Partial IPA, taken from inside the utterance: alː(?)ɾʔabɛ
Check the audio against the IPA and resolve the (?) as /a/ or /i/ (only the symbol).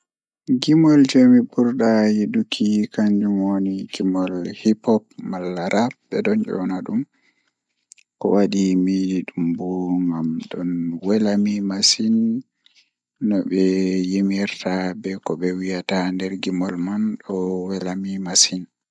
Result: a